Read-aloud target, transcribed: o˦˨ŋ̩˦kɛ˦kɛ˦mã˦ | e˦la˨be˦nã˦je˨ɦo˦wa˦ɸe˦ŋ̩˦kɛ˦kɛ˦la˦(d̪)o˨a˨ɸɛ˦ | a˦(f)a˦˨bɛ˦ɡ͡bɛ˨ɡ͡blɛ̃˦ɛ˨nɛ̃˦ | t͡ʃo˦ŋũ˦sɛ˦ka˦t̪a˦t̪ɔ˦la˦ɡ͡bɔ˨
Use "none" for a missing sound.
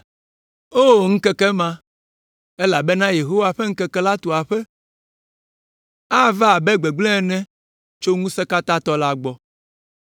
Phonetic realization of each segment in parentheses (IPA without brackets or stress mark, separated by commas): t̪, v